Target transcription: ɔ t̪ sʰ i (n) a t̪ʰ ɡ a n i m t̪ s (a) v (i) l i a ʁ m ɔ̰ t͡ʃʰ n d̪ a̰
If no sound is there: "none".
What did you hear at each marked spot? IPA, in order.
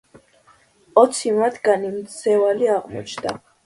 m, ɛ, a

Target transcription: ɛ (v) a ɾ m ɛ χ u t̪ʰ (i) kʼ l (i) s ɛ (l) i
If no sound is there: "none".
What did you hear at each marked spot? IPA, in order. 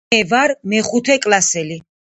v, ɛ, a, l

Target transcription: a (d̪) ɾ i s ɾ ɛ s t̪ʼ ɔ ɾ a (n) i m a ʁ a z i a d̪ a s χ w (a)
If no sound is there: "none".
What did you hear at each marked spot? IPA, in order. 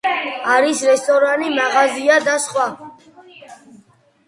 none, n, a

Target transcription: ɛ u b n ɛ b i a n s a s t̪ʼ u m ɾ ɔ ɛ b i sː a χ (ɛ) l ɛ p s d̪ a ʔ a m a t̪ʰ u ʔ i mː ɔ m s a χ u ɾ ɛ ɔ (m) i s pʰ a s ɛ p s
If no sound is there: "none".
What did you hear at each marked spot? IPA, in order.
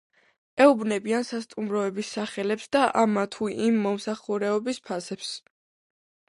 ɛ, b

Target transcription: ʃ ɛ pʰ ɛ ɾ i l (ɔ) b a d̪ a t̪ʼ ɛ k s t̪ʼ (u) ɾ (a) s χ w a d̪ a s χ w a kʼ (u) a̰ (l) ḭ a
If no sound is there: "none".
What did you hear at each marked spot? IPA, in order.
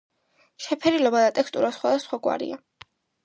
ɔ, u, a, w, ɾ

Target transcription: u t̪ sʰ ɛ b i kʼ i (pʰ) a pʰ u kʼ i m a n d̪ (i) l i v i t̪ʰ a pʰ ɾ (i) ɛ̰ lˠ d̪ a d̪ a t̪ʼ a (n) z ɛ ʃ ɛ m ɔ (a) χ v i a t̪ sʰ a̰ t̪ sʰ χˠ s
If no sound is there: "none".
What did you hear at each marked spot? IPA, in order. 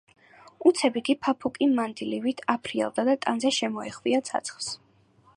pʰ, i, i, n, ɛ

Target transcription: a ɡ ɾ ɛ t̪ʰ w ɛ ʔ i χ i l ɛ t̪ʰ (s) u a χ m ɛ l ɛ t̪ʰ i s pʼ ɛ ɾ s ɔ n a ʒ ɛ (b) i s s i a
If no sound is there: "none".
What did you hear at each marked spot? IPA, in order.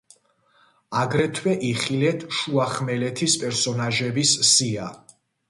ʃ, b

